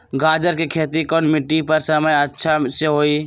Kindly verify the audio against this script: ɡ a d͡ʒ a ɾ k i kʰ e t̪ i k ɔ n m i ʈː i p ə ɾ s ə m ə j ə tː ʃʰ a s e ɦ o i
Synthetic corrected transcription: ɡ a d͡ʒ ə ɾ k e kʰ e t̪ i k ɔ n m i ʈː i p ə ɾ s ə m ə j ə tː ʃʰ a s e ɦ o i

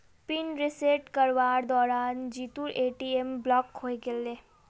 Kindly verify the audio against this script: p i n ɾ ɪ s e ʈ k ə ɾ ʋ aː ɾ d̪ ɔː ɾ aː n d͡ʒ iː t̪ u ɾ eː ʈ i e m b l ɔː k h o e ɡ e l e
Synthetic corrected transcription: p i n ɾ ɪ s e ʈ k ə ɾ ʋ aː ɾ d̪ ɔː ɾ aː n d͡ʒ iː t̪ u ɾ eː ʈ i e m b l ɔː k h o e ɡ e l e

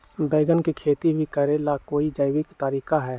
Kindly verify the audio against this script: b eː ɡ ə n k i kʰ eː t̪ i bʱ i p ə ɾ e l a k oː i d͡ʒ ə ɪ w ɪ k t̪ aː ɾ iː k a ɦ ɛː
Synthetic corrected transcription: b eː ɡ ə n k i kʰ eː t̪ i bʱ i k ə ɾ e l a k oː i d͡ʒ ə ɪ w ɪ k t̪ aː ɾ iː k a ɦ ɛː

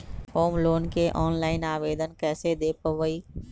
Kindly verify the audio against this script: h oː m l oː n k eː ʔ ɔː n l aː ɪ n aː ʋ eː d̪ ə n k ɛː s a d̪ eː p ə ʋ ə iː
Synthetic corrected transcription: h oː m l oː n k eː ʔ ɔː n l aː ɪ n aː ʋ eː d̪ ə n k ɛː s e d̪ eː p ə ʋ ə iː

